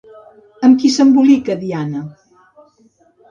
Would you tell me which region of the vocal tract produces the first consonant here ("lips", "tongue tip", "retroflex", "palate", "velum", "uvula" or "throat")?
lips